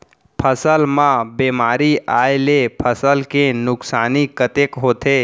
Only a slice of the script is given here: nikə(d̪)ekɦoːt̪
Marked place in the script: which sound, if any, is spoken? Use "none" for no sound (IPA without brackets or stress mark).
t̪